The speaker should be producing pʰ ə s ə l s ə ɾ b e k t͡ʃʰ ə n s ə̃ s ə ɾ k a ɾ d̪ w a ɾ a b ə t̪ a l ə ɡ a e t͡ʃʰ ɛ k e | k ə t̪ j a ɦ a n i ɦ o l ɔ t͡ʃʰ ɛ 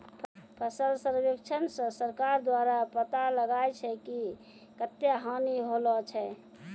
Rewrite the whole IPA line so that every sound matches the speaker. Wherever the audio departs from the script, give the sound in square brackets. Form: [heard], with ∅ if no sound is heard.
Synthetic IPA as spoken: pʰ ə s ə l s ə ɾ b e k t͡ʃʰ ə n s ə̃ s ə ɾ k a ɾ d̪ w a ɾ a [p] ə t̪ a l ə ɡ a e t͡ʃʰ ɛ k [i] | k ə t̪ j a ɦ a n i ɦ o l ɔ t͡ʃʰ ɛ